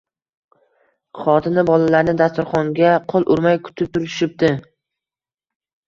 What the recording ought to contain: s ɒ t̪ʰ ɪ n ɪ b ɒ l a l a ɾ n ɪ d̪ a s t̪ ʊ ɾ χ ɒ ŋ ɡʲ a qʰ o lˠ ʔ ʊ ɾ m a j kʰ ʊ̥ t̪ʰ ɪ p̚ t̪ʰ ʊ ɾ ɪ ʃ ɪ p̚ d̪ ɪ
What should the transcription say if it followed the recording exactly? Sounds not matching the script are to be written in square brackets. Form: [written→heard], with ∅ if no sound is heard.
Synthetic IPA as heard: [s→χ] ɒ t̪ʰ ɪ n ɪ b ɒ l a l a ɾ n ɪ d̪ a s t̪ ʊ ɾ χ ɒ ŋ ɡʲ a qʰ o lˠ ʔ ʊ ɾ m a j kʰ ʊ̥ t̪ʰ ɪ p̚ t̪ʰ ʊ ɾ ɪ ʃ ɪ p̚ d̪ ɪ